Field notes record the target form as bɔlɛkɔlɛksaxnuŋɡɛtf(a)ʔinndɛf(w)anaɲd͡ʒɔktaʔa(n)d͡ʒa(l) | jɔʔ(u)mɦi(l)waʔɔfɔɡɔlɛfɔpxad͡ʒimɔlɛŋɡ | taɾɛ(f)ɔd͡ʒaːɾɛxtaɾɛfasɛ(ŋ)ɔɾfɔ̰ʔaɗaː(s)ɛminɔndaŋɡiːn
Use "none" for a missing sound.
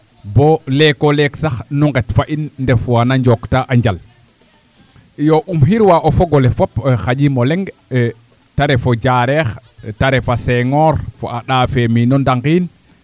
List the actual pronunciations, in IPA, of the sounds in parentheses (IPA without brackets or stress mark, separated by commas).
a, w, ɲ, l, u, ɾ, f, ŋ, f